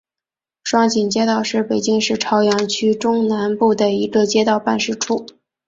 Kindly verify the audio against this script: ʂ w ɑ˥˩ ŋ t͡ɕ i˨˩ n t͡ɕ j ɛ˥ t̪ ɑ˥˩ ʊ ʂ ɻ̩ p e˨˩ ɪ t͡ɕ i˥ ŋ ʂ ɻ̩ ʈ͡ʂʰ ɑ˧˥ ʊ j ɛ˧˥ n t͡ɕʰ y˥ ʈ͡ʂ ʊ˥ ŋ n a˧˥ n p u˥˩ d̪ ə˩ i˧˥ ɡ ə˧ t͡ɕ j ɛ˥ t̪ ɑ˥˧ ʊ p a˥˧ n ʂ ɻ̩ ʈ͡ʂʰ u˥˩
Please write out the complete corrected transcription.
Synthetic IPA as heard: ʂ w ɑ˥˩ ŋ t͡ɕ i˨˩ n t͡ɕ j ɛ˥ t̪ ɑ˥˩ ʊ ʂ ɻ̩ p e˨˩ ɪ t͡ɕ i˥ ŋ ʂ ɻ̩ ʈ͡ʂʰ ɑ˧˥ ʊ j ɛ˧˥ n t͡ɕʰ y˥ ʈ͡ʂ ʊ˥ ŋ n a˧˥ n p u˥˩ d̪ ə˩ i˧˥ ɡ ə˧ t͡ɕ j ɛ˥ t̪ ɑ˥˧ ʊ p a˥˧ n ʂ ɻ̩ ʈ͡ʂʰ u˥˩